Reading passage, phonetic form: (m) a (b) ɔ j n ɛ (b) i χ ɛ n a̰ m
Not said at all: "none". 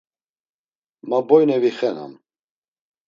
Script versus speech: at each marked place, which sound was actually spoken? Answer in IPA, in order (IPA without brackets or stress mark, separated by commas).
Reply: m, b, v